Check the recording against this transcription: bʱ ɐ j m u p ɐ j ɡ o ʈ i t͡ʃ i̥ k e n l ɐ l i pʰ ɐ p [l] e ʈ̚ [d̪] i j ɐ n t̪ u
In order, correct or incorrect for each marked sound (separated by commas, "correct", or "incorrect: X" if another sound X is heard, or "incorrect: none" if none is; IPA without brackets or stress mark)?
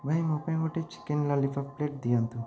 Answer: correct, correct